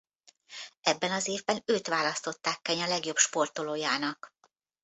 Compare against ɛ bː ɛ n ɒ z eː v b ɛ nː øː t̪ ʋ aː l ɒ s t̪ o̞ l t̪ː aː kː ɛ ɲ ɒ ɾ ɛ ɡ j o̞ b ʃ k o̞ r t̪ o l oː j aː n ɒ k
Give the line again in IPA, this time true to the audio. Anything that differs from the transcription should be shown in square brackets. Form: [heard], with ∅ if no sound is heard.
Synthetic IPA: ɛ bː ɛ n ɒ z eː v b ɛ [n] øː t̪ ʋ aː l ɒ s t̪ o̞ [∅] t̪ː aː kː ɛ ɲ ɒ [l] ɛ ɡ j o̞ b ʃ [p] o̞ r t̪ o l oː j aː n ɒ k

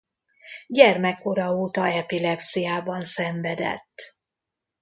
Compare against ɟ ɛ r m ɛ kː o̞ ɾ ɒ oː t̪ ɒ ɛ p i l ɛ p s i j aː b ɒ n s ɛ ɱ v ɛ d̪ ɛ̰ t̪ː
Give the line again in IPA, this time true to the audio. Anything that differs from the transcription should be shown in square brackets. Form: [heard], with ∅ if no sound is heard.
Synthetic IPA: ɟ ɛ r m ɛ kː o̞ ɾ ɒ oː t̪ ɒ ɛ p i l ɛ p s i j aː b ɒ n s ɛ ɱ v ɛ d̪ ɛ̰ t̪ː

